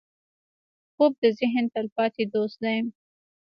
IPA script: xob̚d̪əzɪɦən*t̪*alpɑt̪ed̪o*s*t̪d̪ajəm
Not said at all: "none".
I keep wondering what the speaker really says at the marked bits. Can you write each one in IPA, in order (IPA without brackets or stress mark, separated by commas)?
t̪, s